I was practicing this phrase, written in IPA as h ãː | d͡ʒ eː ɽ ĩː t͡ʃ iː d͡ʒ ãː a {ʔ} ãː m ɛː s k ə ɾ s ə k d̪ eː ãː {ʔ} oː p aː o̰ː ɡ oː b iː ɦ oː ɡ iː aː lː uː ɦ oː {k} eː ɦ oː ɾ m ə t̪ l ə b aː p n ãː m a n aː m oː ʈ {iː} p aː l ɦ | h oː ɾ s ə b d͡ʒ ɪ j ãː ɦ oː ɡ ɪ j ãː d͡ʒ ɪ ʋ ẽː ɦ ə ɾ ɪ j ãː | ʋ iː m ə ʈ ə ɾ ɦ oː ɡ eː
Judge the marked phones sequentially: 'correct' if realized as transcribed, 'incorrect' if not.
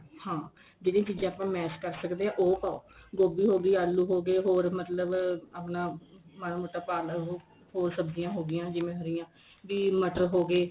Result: incorrect, correct, incorrect, incorrect

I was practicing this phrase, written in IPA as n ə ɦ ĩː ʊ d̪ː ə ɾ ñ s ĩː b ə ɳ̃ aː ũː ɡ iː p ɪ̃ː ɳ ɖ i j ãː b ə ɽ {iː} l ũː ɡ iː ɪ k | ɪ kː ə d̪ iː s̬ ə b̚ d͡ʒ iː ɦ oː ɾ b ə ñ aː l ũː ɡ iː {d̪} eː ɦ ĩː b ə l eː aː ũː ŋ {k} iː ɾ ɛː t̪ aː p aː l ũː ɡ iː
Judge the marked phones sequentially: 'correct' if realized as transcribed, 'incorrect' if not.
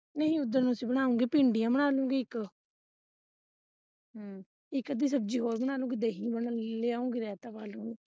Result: incorrect, correct, incorrect

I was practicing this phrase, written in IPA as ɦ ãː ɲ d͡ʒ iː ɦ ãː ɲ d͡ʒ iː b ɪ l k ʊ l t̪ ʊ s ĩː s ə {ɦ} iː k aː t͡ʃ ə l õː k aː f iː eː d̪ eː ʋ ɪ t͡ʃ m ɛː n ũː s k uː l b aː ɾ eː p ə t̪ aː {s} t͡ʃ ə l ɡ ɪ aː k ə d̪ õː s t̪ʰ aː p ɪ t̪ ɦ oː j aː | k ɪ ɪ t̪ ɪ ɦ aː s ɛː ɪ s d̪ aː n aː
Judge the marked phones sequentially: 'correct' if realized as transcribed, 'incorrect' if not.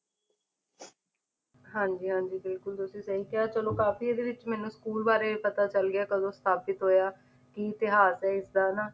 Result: correct, incorrect

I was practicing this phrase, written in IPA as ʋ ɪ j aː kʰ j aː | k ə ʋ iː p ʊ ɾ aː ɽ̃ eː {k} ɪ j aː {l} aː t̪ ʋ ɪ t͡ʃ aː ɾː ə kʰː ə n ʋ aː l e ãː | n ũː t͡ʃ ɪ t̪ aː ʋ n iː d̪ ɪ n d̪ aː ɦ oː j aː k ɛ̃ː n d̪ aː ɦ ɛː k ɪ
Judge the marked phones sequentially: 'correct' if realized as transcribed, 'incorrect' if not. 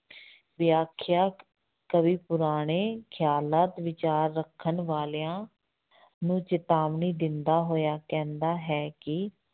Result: incorrect, correct

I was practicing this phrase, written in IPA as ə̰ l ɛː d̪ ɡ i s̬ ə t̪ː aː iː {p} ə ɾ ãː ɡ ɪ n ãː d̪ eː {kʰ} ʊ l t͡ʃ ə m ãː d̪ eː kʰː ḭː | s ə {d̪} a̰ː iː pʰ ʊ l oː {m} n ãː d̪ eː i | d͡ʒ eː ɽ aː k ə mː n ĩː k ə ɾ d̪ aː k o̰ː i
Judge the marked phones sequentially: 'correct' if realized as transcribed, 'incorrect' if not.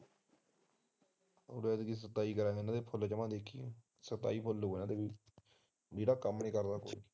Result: incorrect, incorrect, incorrect, incorrect

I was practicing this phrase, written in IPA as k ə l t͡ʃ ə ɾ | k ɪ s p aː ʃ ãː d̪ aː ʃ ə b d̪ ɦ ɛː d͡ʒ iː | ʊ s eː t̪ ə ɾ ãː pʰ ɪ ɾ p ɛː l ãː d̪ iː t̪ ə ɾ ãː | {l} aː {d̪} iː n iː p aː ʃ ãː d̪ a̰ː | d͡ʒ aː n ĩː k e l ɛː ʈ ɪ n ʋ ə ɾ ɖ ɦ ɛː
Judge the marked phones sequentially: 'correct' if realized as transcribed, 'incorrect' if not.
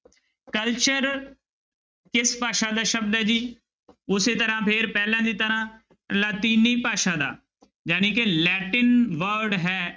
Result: correct, incorrect

